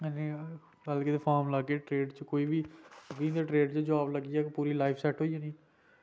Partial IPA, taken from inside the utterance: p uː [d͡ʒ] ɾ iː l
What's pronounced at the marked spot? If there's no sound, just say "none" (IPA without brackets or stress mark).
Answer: none